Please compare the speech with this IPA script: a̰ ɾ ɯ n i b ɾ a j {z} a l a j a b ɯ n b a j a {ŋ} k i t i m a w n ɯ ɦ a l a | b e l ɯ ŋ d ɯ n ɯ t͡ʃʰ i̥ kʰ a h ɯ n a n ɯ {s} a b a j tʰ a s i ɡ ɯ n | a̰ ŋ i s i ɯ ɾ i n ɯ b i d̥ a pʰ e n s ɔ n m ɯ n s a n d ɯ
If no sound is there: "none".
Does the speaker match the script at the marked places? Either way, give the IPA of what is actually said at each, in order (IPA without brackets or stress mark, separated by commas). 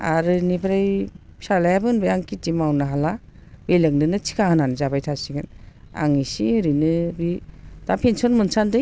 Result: s, ŋ, z